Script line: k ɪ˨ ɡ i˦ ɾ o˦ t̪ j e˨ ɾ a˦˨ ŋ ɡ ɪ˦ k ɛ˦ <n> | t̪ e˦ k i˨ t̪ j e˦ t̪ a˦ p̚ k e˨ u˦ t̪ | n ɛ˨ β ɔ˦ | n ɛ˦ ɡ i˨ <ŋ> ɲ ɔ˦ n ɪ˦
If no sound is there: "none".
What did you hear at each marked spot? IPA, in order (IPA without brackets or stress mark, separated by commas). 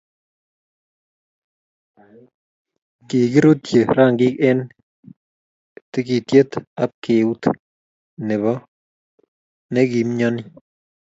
n, m